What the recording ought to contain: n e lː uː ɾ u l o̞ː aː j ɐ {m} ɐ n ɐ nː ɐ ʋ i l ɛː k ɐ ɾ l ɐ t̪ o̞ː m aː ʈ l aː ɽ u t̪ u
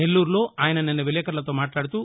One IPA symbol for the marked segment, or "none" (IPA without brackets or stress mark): n